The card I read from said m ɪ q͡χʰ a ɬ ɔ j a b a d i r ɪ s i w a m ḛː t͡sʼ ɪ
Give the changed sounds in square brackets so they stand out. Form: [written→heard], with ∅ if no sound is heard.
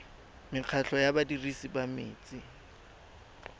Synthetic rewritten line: m ɪ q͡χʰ a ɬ ɔ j a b a d i r [ɪ→i] s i [w→b] a m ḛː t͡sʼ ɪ